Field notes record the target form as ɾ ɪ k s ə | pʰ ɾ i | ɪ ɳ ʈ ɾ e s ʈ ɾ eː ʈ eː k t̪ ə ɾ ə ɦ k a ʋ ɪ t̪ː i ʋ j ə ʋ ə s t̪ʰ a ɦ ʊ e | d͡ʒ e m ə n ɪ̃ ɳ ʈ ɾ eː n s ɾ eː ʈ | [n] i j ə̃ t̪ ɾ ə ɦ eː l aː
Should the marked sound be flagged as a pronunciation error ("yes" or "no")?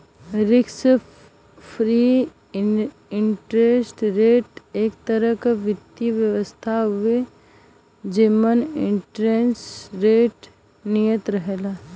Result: no